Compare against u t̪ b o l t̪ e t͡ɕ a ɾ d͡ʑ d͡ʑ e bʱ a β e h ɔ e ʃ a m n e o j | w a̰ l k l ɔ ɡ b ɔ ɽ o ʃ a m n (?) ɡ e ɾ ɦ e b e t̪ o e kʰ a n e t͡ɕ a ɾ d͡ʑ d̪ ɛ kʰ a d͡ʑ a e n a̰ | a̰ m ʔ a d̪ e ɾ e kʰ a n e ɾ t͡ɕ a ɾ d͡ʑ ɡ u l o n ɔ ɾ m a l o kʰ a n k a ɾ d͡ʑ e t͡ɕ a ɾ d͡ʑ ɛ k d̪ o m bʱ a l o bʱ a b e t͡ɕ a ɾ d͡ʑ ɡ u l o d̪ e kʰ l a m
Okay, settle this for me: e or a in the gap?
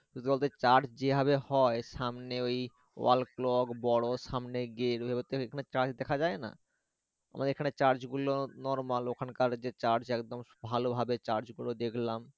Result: e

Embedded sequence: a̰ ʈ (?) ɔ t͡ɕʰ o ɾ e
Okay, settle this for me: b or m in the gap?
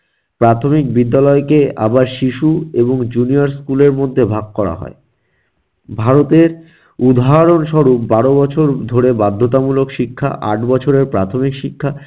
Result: b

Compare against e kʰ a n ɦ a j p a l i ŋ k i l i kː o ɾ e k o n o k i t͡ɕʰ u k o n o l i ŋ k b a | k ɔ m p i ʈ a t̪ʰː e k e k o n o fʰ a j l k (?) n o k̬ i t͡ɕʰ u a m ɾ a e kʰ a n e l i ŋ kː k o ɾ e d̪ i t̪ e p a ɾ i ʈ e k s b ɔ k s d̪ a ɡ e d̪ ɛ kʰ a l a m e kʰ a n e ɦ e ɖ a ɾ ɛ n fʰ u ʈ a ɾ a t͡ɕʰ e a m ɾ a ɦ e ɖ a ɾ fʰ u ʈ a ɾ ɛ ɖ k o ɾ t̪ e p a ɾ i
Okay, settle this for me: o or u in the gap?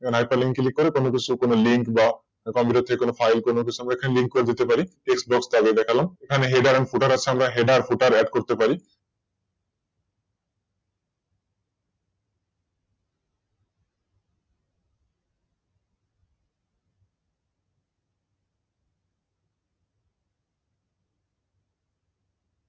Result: o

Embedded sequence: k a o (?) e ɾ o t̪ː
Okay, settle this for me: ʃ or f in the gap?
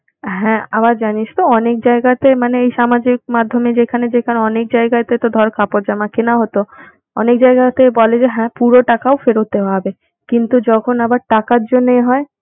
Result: f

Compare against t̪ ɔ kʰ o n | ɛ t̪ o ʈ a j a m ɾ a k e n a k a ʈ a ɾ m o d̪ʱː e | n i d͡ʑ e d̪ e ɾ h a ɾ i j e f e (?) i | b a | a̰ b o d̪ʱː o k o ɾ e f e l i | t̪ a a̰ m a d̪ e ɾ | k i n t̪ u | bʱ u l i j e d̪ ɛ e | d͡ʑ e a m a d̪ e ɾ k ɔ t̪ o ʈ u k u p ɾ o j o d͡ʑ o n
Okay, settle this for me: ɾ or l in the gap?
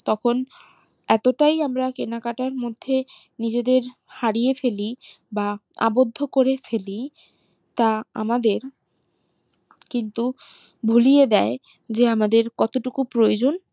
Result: l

